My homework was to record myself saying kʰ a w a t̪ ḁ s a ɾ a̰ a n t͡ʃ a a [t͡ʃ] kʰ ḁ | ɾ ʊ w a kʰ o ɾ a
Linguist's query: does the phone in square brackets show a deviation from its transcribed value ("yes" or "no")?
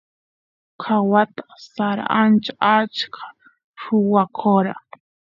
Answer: no